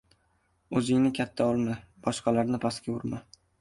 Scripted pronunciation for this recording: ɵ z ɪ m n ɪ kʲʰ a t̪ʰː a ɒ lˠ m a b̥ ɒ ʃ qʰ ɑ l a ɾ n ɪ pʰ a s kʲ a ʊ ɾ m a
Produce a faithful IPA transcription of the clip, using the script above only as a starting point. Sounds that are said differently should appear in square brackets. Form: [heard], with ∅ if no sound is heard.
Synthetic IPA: ɵ z ɪ [ŋ] n ɪ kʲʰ a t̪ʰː a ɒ lˠ m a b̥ ɒ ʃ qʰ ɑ l a ɾ n ɪ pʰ a s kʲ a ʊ ɾ m a